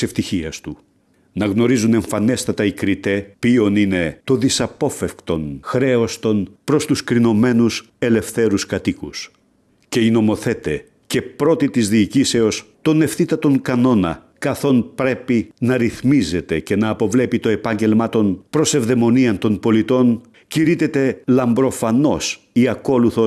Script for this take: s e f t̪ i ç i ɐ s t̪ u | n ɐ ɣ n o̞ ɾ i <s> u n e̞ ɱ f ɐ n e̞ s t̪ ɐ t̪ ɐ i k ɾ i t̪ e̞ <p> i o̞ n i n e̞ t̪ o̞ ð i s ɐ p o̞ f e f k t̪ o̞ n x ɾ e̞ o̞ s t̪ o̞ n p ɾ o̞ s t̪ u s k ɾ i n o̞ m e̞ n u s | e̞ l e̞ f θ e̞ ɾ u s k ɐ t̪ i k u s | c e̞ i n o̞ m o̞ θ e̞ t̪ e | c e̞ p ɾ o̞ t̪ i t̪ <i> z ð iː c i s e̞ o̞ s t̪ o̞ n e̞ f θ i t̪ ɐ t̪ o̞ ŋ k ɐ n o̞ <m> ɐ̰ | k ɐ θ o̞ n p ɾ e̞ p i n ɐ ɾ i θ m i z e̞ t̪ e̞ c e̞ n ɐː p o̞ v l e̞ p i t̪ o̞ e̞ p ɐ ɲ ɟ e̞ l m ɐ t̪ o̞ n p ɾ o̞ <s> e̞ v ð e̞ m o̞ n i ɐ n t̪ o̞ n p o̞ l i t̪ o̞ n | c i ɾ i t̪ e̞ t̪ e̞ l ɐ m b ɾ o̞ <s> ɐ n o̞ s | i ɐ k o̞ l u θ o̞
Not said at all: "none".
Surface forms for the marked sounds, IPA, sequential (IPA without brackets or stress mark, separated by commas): z, p, i, n, s, f